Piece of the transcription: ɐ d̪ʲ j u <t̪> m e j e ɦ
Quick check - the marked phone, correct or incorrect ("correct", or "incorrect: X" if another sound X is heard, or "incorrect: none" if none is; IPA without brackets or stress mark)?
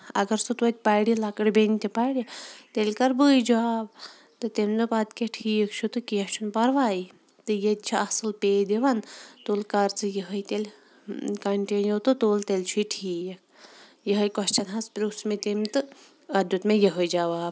correct